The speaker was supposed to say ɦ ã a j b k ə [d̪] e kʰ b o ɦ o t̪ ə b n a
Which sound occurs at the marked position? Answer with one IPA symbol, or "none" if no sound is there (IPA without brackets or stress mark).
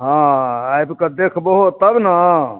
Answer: d̪